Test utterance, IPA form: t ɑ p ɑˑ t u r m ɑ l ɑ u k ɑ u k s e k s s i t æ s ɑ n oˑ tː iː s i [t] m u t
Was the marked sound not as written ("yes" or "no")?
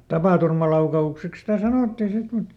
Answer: no